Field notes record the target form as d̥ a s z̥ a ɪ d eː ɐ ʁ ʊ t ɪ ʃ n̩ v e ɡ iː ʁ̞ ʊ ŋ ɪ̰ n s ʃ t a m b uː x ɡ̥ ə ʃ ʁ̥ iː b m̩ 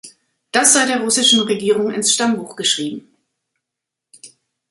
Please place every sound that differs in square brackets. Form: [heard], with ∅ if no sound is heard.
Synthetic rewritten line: d̥ a s z̥ a ɪ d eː ɐ ʁ ʊ [s] ɪ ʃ n̩ [ʁ] e ɡ iː ʁ̞ ʊ ŋ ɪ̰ n s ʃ t a m b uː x ɡ̥ ə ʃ ʁ̥ iː b m̩